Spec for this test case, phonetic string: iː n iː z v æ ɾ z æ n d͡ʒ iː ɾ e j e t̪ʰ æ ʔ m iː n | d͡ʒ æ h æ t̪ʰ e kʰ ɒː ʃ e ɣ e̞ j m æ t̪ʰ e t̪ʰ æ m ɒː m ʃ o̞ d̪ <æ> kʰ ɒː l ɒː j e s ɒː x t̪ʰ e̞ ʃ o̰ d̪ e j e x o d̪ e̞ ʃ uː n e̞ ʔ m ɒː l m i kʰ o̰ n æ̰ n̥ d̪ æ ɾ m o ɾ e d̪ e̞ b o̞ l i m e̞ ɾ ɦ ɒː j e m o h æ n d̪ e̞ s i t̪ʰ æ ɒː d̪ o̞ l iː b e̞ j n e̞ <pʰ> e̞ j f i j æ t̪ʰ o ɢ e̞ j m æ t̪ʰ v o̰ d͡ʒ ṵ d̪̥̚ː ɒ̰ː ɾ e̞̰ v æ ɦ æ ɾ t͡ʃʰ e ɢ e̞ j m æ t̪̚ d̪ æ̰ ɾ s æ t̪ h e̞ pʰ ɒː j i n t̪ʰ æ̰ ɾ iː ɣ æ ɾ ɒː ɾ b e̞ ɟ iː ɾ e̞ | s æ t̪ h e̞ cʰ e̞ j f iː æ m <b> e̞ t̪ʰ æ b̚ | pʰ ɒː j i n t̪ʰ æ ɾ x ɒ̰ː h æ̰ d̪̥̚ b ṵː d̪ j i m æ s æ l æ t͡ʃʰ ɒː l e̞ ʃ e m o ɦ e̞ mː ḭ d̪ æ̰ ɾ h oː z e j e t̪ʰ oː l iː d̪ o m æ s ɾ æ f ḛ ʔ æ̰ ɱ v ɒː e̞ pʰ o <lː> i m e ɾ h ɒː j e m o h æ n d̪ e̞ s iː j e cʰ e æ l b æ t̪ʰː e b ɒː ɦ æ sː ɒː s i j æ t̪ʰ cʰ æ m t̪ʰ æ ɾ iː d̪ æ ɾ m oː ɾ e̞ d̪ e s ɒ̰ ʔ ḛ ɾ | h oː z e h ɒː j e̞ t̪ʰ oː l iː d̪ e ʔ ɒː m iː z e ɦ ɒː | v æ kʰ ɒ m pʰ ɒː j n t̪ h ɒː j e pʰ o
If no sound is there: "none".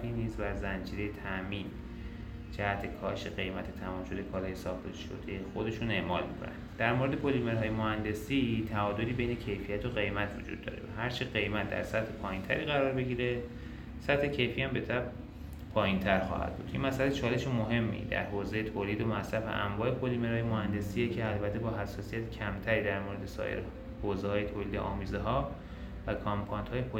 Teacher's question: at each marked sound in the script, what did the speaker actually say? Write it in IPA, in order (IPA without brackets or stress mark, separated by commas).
e, cʰ, b, l